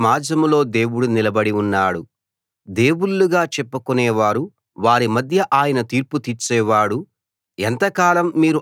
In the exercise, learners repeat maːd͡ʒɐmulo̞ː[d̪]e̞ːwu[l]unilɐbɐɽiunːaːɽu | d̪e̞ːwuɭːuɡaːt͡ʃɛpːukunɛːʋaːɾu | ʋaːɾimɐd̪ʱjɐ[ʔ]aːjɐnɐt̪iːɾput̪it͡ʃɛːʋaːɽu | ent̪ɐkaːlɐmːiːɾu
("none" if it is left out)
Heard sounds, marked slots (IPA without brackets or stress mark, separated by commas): d̪, ɽ, ʔ